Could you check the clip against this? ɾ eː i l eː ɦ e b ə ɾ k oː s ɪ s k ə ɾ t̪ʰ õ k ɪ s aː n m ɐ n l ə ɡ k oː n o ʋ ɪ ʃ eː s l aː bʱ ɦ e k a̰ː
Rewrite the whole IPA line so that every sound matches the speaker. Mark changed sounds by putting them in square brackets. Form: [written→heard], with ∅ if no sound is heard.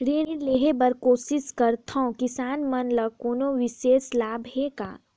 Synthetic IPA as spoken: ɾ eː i l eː ɦ e b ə ɾ k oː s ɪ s k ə ɾ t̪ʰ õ k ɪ s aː n m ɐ n l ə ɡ k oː n o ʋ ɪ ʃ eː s l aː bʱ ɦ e k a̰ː